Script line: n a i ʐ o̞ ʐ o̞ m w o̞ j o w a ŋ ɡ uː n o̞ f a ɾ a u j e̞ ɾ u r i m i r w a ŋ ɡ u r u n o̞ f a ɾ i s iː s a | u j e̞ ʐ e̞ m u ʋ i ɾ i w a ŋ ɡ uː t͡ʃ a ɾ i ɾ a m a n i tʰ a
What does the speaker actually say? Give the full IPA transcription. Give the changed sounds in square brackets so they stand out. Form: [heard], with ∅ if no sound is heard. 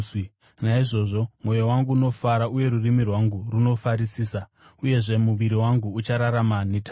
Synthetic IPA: n a i ʐ o̞ ʐ o̞ m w o̞ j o w a ŋ ɡ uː n o̞ f a ɾ a u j e̞ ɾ u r i m i r w a ŋ ɡ u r u n o̞ f a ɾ i s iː s a | u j e̞ ʐ e̞ m u ʋ i ɾ i w a ŋ ɡ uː t͡ʃ a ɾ [a] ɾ a m a n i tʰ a